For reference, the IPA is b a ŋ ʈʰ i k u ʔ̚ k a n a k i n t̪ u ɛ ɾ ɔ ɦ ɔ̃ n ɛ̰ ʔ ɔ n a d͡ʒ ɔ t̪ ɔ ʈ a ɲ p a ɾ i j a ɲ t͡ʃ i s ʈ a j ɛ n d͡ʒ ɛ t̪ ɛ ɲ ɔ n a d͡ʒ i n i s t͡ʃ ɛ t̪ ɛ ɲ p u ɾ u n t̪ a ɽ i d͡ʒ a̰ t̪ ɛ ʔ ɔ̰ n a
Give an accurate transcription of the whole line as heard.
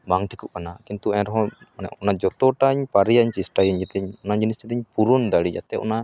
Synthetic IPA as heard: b a ŋ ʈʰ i k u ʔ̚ k a n a k i n t̪ u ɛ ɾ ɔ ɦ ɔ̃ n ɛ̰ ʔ ɔ n a d͡ʒ ɔ t̪ ɔ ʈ a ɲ p a ɾ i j a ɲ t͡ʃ i s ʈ a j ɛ ɲ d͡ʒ ɛ t̪ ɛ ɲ ɔ n a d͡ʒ i n i s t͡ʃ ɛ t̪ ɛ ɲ p u ɾ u n d̪ a ɽ i d͡ʒ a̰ t̪ ɛ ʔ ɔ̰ n a